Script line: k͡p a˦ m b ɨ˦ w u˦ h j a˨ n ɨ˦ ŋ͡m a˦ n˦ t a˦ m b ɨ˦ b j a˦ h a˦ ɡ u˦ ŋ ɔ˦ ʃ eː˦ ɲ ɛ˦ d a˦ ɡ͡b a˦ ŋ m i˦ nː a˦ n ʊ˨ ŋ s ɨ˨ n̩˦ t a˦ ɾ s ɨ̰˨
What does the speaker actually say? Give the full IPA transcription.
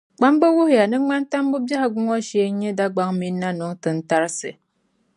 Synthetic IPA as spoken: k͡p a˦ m b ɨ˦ w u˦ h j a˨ n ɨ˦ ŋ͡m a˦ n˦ t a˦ m b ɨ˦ b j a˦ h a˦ ɡ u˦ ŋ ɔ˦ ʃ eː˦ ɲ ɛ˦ d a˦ ɡ͡b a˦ ŋ m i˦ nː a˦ n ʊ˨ ŋ t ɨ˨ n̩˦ t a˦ ɾ s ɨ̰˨